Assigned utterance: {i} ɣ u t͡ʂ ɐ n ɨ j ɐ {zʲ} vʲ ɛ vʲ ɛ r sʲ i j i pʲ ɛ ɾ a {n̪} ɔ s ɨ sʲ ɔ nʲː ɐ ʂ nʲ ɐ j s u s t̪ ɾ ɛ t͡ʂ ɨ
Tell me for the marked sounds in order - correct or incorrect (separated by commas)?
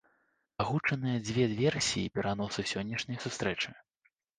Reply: incorrect, incorrect, correct